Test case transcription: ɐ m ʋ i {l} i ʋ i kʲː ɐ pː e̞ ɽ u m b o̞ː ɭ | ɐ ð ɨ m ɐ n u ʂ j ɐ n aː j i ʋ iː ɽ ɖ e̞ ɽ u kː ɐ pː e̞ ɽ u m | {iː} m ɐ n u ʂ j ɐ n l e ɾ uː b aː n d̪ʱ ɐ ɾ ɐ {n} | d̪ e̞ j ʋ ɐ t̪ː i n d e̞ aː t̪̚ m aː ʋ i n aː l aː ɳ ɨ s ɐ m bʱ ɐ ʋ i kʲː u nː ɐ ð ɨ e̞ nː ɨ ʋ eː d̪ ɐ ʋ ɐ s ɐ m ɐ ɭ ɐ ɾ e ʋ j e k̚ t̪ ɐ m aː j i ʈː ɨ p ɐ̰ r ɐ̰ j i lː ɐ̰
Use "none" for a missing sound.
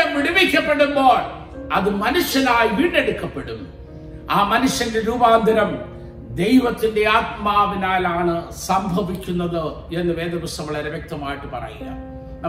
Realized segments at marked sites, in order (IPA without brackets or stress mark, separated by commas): ɽ, aː, m